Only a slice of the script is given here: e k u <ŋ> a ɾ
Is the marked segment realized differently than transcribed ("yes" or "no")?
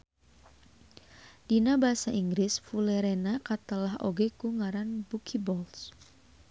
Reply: no